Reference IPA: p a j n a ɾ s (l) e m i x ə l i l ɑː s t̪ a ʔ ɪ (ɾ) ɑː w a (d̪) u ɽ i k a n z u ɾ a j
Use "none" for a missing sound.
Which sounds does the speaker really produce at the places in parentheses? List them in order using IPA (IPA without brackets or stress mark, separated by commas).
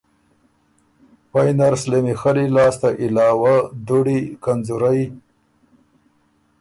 l, l, d̪